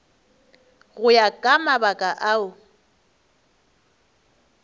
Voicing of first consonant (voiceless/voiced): voiced